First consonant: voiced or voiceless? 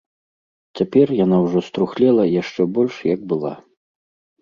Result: voiceless